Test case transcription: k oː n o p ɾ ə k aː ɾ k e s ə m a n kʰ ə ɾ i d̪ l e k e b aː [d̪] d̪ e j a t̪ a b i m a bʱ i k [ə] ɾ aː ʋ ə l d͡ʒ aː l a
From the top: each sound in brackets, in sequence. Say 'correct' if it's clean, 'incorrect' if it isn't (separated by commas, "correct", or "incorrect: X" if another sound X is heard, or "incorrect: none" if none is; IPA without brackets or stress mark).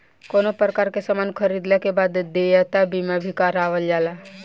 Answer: correct, incorrect: a